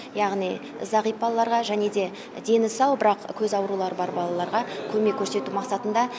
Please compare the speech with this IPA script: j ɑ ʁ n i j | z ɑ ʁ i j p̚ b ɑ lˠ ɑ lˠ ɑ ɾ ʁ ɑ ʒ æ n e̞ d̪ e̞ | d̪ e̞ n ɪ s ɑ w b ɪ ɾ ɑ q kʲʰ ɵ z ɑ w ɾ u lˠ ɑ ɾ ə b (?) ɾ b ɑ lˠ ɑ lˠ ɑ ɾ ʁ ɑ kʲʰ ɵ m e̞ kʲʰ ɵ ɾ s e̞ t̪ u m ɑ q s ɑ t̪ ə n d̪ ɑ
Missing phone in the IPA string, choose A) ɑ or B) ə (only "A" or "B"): A